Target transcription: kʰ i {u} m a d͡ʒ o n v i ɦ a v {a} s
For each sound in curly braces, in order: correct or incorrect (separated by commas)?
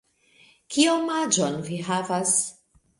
incorrect, correct